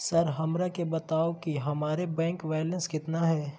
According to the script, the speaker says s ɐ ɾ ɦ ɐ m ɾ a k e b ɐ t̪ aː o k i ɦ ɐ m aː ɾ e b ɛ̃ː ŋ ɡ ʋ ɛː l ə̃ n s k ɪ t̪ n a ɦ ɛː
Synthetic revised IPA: s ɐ ɾ ɦ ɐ m ɾ a k e b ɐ t̪ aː o k i ɦ ɐ m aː ɾ e b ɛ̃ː ŋ k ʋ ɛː l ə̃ n s k ɪ t̪ n a ɦ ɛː